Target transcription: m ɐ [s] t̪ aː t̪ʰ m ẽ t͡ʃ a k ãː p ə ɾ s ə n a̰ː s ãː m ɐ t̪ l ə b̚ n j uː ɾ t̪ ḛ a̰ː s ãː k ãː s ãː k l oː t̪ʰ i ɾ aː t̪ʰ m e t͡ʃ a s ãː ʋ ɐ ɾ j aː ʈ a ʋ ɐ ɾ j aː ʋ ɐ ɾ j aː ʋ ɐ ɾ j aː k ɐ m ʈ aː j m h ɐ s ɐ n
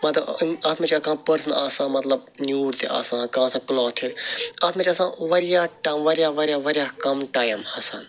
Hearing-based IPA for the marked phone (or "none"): none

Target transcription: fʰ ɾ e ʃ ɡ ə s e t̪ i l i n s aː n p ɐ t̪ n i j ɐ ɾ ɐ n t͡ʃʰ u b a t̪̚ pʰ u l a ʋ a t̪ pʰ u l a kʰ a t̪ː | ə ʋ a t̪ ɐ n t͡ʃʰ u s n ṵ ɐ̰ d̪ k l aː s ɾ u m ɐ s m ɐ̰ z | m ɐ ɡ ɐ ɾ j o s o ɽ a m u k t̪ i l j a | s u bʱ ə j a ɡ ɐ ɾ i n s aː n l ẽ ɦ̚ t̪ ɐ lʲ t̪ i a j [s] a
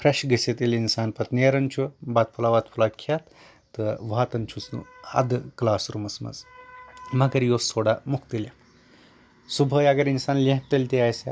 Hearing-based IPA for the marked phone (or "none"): s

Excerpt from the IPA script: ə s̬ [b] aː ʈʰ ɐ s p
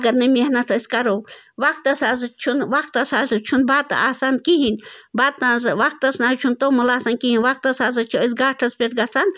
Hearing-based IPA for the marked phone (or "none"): ɡ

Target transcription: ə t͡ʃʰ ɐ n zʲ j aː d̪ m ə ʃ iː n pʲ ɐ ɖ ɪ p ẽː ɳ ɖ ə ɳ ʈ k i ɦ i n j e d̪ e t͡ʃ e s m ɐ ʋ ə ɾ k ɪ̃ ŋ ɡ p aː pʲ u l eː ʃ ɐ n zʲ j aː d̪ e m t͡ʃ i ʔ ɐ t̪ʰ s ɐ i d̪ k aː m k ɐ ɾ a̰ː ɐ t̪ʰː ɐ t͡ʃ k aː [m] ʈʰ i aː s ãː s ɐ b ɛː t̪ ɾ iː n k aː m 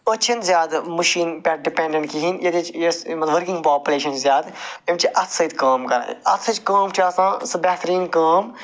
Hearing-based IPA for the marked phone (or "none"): m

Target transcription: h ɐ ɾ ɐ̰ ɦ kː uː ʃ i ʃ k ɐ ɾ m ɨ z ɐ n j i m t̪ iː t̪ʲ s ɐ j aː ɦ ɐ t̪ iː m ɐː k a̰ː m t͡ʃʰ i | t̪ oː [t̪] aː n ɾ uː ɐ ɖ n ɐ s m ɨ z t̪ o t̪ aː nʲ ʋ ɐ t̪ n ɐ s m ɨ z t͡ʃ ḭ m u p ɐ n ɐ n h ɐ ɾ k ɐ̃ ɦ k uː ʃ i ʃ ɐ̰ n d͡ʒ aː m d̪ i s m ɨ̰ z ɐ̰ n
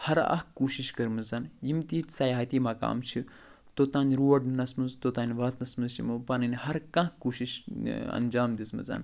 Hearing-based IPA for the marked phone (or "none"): t̪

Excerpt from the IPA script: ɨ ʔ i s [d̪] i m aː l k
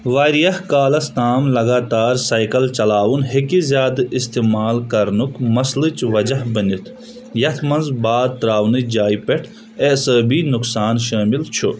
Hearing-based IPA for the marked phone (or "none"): t̪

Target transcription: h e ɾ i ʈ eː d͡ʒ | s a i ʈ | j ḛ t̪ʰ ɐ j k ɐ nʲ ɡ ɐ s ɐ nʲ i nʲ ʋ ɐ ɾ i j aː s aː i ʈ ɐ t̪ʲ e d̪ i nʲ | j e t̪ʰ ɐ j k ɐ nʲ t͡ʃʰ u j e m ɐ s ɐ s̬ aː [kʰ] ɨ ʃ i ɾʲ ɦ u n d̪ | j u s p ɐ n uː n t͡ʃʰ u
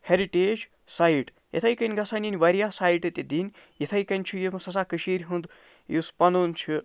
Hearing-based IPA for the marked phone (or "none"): k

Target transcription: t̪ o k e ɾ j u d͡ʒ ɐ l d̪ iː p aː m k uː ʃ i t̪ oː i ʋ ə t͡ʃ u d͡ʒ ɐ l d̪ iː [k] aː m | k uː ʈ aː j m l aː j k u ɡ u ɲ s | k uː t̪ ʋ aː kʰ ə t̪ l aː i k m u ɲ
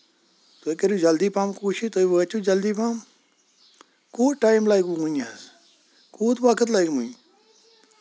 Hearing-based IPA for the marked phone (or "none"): p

